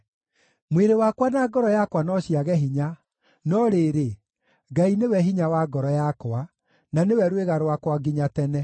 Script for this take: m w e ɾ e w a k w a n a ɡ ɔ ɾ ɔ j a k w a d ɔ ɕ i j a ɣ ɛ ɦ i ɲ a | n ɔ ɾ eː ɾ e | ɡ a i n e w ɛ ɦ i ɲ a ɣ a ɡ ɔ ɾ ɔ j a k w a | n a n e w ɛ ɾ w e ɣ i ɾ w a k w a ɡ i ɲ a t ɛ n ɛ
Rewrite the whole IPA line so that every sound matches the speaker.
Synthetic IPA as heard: m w e ɾ e w a k w a n a ɡ ɔ ɾ ɔ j a k w a n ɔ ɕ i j a ɣ ɛ ɦ i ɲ a | n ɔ ɾ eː ɾ e | ɡ a i n e w ɛ ɦ i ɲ a w a ɡ ɔ ɾ ɔ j a k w a | n a n e w ɛ ɾ w e ɣ a ɾ w a k w a ɡ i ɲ a t ɛ n ɛ